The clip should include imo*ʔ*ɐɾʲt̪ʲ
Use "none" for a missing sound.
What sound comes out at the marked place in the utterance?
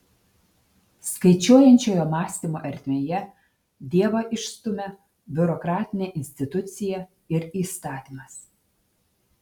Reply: ʔ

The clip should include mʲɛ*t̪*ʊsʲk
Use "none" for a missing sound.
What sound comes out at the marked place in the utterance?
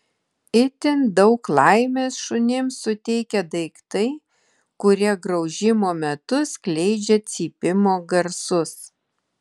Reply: t̪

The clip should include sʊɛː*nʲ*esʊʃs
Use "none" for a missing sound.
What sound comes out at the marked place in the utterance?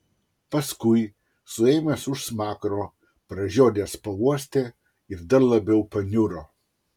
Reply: mʲ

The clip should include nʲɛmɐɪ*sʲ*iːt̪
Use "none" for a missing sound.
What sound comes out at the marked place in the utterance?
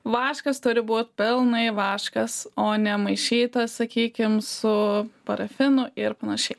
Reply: ʃʲ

